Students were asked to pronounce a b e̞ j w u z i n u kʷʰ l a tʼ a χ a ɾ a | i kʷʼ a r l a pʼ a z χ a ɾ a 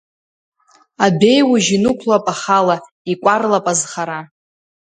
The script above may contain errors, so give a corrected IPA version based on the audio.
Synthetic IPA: a b e̞ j w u ʒ i n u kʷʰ l a pʼ a χ a l a | i kʷʼ a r l a pʼ a z χ a ɾ a